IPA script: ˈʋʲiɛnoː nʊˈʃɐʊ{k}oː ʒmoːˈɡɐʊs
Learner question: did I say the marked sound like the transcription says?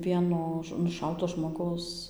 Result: no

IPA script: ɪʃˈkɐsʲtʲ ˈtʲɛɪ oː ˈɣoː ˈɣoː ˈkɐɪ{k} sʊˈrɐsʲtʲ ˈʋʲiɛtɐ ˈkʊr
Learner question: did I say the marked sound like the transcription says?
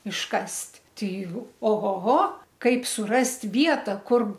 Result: no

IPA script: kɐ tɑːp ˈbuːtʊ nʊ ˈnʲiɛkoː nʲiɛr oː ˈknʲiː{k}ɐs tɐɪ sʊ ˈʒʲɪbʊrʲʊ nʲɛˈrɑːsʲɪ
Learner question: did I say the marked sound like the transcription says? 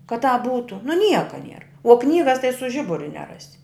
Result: no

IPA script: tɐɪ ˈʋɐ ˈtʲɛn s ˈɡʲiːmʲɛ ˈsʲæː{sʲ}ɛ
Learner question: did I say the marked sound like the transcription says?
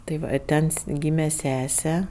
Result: yes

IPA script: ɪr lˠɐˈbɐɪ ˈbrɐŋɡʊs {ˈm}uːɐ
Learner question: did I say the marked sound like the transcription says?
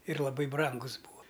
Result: no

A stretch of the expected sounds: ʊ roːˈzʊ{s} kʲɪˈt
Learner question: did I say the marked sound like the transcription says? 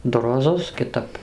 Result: yes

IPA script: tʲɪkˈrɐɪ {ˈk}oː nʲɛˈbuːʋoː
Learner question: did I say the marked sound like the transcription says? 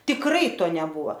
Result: no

